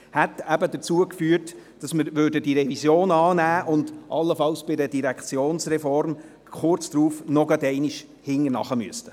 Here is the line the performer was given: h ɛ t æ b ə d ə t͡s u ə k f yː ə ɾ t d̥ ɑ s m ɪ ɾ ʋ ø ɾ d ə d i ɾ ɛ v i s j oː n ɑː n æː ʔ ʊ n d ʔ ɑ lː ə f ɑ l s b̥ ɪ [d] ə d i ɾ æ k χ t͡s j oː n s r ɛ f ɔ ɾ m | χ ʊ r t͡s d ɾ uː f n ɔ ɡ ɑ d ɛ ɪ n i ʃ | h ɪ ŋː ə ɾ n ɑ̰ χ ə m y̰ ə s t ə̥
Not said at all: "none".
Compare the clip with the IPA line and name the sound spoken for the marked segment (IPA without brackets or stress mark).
d